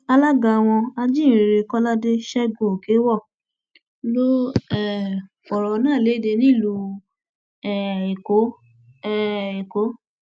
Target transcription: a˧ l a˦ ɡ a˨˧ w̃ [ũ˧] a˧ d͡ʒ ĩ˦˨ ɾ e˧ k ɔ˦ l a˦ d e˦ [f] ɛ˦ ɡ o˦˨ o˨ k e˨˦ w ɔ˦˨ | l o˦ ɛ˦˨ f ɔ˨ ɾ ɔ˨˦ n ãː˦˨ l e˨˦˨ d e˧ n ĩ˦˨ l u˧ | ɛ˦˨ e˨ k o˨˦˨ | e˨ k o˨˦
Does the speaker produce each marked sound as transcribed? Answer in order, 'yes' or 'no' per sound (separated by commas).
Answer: no, no